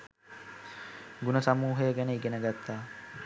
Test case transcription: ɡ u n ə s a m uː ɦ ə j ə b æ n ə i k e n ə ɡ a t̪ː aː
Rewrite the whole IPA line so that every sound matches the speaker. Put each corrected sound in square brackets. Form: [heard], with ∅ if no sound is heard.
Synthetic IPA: ɡ u n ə s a m uː ɦ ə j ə [ɡ] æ n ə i [ɡ] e n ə ɡ a t̪ː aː